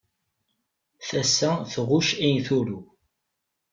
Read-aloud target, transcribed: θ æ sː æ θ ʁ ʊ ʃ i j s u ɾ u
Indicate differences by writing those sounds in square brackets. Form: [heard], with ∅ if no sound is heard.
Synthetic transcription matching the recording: θ æ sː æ θ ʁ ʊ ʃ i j [θ] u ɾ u